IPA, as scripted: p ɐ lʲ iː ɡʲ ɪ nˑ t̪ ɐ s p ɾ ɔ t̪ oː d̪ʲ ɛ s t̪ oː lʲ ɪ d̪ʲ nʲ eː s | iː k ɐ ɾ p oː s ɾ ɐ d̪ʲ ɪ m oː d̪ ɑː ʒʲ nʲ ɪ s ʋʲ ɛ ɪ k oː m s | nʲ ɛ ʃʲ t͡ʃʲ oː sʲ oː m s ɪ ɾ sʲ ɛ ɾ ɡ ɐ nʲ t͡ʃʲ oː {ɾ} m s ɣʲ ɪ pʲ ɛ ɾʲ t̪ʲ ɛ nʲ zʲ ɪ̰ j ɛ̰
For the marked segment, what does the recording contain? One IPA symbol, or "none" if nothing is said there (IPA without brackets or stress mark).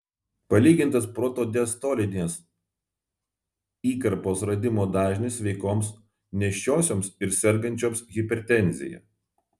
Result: none